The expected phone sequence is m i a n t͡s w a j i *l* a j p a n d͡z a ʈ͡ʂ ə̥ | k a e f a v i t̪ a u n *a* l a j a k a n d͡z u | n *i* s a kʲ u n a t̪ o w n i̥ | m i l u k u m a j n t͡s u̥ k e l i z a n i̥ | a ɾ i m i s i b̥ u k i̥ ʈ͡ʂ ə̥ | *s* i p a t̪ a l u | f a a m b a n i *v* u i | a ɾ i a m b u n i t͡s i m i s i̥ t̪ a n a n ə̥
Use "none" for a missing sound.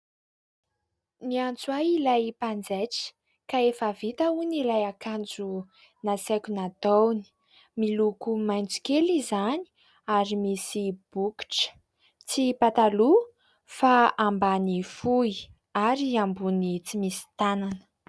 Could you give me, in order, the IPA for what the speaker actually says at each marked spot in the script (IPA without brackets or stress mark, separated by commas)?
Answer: l, i, a, t͡s, f